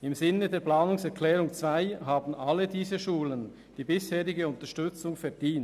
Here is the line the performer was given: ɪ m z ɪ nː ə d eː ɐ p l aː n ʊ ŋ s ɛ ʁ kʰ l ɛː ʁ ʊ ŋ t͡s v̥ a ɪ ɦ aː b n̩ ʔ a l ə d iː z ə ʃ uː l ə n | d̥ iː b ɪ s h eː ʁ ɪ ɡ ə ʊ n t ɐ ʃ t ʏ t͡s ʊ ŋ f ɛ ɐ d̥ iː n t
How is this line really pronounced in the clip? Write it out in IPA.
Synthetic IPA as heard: ɪ m z ɪ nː ə d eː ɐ p l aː n ʊ ŋ s ɛ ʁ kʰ l ɛː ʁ ʊ ŋ t͡s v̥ a ɪ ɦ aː b n̩ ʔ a l ə d iː z ə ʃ uː l ə n | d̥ iː b ɪ s h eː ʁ ɪ ɡ ə ʊ n t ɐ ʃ t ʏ t͡s ʊ ŋ f ɛ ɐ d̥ iː n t